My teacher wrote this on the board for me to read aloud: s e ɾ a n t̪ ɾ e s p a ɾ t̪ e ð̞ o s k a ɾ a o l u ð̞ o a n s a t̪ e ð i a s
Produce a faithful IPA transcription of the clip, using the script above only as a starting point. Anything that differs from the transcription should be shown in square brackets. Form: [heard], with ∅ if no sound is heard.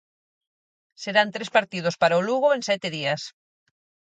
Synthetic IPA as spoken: s e ɾ a n t̪ ɾ e s p a ɾ t̪ [i] ð̞ o s [p] a ɾ a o l u [ɣ̞] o [e] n s [ɛ] t̪ e ð i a s